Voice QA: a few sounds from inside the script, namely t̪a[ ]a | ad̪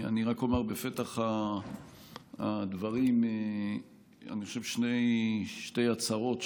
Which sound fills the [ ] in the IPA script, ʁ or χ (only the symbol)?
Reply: χ